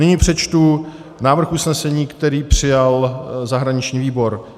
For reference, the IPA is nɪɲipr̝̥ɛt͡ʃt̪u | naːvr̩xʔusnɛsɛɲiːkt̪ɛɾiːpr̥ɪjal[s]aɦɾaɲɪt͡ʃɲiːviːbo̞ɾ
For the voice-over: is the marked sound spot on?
no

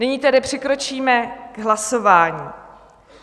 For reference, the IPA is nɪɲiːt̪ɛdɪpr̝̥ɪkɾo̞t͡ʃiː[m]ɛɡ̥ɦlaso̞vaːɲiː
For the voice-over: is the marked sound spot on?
yes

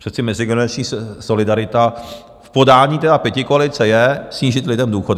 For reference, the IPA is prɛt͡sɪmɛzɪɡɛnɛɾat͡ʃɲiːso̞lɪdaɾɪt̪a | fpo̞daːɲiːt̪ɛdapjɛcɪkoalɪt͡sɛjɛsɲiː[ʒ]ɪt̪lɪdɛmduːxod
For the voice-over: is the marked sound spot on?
yes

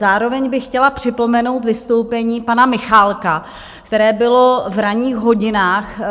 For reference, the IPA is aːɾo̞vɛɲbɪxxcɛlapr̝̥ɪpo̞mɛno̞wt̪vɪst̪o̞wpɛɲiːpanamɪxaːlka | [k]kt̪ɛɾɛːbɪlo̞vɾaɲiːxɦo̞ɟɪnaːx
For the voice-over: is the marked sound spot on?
yes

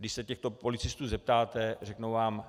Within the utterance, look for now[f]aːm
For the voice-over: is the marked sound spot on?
no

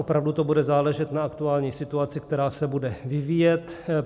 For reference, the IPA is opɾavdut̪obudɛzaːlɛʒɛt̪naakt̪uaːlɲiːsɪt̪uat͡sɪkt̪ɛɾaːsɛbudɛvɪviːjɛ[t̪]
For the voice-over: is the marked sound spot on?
yes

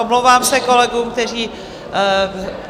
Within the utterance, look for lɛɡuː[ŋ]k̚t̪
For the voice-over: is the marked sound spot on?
no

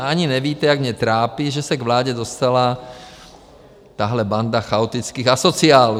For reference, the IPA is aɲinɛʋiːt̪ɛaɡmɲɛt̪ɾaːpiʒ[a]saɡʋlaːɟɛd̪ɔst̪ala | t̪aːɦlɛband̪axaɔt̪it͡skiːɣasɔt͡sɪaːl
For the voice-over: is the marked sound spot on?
no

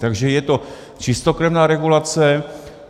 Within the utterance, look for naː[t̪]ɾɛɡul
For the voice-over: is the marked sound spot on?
no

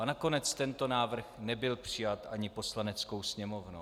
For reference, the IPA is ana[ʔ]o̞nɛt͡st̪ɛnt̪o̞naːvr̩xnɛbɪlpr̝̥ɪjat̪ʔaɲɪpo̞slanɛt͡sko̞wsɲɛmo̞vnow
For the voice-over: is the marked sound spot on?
no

